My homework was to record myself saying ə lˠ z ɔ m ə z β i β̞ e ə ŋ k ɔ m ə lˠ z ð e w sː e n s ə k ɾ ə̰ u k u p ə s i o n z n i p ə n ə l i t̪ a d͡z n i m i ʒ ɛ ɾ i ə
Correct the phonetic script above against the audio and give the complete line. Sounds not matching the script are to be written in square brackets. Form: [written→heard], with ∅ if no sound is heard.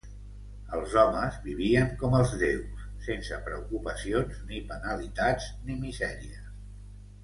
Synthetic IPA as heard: ə lˠ z ɔ m ə z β i β̞ [e→i] ə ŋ k ɔ m ə lˠ z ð e w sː e n s ə [k→p] ɾ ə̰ u k u p ə s i o n z n i p ə n ə l i t̪ a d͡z n i m i [ʒ→z] ɛ ɾ i ə